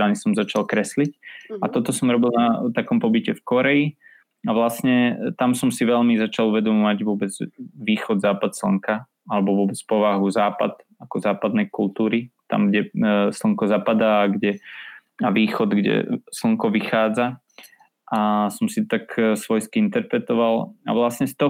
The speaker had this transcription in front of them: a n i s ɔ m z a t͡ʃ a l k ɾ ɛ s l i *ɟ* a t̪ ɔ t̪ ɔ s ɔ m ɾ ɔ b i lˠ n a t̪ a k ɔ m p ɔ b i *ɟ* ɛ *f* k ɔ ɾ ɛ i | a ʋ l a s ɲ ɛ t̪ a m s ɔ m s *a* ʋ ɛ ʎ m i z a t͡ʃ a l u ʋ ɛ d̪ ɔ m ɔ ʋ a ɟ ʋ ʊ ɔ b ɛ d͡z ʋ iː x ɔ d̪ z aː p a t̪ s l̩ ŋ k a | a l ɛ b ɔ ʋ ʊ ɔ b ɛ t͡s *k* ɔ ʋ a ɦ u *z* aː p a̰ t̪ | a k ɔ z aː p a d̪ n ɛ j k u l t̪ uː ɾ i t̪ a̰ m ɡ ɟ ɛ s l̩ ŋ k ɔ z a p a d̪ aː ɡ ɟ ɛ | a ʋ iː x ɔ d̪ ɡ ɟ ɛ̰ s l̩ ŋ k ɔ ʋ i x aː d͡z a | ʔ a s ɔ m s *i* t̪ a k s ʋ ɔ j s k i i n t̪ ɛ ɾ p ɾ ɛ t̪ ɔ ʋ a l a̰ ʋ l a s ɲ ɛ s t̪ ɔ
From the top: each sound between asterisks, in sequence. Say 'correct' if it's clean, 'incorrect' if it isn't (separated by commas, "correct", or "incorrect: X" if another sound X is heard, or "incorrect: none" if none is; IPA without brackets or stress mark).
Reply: incorrect: c, incorrect: c, correct, incorrect: i, incorrect: p, correct, correct